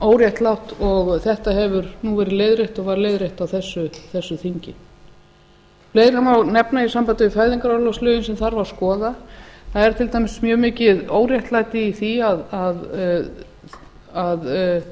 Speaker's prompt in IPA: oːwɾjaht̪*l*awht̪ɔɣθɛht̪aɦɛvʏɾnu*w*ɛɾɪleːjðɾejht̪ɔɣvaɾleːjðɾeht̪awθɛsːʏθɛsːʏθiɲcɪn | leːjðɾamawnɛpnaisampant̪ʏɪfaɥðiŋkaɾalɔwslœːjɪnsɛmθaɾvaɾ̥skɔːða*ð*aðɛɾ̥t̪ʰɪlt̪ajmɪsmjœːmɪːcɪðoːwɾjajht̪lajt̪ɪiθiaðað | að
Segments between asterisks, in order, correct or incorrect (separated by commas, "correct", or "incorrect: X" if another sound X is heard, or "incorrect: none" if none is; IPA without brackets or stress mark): correct, incorrect: v, incorrect: θ